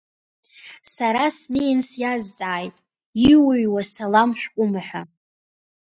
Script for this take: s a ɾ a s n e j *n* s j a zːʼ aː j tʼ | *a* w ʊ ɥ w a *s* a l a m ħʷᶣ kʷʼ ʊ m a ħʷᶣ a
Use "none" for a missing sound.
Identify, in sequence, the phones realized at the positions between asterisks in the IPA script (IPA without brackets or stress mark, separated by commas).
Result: n, i, s